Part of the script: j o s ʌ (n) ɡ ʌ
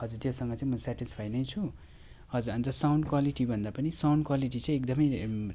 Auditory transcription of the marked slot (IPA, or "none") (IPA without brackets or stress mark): ŋ